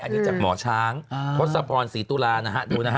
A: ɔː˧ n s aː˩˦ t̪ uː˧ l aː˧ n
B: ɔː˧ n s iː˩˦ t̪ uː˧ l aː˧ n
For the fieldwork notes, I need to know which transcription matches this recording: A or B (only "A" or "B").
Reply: B